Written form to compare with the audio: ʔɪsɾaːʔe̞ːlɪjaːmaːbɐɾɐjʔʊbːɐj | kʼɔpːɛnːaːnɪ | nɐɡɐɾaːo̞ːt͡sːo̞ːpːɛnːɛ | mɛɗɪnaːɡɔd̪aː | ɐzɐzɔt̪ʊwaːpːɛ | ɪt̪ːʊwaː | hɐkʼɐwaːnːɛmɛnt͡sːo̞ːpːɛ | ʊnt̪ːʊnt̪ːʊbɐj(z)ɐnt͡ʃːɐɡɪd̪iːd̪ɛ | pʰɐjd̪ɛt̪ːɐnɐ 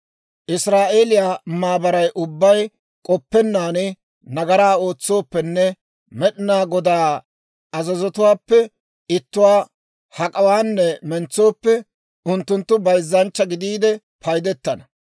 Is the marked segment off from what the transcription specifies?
yes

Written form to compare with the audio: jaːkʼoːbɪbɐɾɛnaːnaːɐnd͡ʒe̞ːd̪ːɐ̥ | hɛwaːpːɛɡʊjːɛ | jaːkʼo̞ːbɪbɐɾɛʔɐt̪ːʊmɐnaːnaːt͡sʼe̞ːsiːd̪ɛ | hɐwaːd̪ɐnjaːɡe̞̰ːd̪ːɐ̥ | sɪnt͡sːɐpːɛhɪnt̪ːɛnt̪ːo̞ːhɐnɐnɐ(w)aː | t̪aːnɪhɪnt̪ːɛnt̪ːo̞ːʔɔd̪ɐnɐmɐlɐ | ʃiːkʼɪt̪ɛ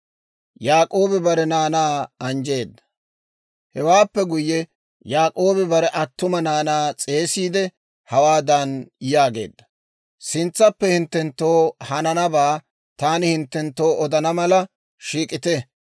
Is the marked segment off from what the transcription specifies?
yes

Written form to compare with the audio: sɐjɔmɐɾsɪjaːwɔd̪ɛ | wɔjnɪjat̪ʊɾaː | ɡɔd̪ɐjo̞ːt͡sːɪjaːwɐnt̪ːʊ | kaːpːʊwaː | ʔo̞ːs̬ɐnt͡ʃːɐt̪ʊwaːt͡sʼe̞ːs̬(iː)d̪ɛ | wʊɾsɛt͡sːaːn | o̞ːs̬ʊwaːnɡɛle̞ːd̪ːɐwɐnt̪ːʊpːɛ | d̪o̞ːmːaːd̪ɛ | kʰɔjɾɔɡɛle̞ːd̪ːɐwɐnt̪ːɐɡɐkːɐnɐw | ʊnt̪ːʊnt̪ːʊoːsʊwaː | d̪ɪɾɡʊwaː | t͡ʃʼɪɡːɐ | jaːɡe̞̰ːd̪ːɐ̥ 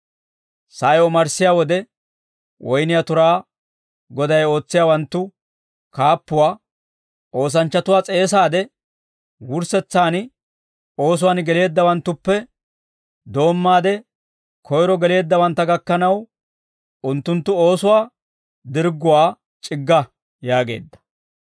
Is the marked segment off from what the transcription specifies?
yes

